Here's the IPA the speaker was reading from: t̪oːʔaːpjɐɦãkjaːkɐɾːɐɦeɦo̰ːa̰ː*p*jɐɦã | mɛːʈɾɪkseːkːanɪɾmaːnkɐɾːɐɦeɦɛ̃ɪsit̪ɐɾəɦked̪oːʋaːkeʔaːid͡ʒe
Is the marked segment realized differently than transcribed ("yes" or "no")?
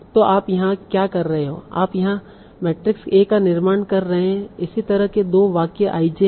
no